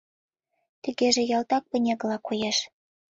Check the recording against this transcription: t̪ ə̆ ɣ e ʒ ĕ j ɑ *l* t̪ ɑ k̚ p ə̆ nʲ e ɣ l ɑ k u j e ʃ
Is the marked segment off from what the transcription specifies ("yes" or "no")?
no